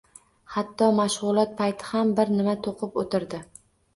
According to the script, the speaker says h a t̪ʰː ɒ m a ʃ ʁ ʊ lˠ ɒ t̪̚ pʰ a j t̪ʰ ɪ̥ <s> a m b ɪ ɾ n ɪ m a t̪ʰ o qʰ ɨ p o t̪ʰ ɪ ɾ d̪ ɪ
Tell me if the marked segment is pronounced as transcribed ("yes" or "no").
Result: no